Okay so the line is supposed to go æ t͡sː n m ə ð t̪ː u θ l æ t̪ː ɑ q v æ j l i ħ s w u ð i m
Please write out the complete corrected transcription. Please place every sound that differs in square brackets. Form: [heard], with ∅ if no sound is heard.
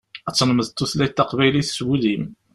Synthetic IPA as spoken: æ t͡sː n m ə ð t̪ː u θ l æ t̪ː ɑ q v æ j l i [θ] s w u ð i m